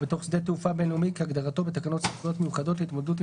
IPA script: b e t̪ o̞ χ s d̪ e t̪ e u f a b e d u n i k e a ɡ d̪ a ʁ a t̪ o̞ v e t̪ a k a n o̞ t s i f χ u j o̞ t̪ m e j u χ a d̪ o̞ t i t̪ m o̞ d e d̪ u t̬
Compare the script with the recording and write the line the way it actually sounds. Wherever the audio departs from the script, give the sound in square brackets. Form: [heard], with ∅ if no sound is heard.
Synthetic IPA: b e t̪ o̞ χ s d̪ e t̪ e u f a b e [n] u [m] i k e a ɡ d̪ a ʁ a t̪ o̞ [b] e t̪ a k a n o̞ t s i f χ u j o̞ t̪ m e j u χ a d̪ o̞ t i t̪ m o̞ d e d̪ u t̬